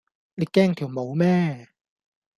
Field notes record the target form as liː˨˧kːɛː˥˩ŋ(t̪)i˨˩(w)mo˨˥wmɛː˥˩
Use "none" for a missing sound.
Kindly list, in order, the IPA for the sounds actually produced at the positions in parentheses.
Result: t̪ʰ, w

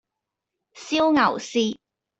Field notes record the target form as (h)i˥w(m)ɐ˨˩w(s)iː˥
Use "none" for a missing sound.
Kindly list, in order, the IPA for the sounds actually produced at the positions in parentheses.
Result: s, ŋ, s

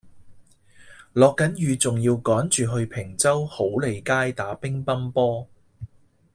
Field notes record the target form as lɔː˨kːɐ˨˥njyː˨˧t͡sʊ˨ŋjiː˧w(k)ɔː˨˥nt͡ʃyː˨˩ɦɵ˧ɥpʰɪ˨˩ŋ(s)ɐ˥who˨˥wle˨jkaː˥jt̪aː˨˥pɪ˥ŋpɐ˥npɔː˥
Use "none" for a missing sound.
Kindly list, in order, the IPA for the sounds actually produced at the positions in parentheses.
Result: k, t͡s

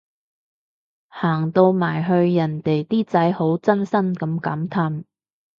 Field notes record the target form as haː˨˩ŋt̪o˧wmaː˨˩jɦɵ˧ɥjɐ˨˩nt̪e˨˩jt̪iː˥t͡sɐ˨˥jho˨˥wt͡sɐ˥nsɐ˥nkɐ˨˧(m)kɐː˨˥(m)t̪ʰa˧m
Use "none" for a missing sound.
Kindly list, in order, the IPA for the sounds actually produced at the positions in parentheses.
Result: m, m

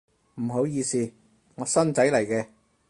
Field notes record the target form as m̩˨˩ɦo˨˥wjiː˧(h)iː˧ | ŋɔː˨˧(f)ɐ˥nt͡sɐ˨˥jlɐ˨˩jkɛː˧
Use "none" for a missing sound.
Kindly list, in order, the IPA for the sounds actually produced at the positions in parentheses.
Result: s, s

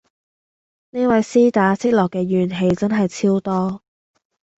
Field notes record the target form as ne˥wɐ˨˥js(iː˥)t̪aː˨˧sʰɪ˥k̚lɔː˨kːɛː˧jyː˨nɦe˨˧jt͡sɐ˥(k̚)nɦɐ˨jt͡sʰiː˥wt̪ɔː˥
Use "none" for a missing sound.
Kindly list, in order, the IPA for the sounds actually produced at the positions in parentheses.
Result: iː˥, none

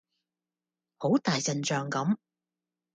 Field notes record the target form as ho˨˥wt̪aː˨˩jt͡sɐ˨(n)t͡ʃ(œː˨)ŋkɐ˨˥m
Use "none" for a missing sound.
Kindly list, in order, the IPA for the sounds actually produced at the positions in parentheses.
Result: n, œː˨

